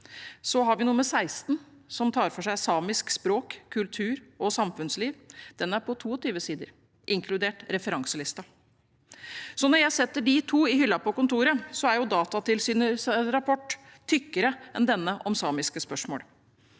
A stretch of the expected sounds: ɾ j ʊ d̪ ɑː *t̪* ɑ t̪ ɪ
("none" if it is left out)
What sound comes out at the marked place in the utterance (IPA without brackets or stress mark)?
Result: t̪